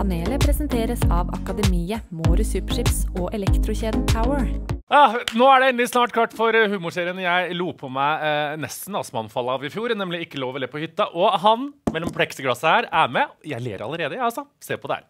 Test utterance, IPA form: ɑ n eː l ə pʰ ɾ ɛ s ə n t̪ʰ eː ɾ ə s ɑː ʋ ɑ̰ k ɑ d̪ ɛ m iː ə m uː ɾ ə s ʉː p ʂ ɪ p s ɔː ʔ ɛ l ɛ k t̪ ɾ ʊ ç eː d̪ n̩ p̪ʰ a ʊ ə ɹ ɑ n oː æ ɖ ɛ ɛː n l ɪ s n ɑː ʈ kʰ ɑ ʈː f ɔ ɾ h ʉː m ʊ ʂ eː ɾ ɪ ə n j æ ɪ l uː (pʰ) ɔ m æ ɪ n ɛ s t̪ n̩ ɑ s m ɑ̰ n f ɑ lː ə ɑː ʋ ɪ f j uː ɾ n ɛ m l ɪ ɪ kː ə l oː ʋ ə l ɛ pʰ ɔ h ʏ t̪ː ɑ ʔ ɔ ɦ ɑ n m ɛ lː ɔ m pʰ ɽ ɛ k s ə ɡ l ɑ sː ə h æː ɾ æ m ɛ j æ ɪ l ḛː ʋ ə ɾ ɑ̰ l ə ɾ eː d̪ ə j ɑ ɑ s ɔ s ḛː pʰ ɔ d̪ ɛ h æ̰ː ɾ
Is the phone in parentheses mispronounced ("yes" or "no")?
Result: no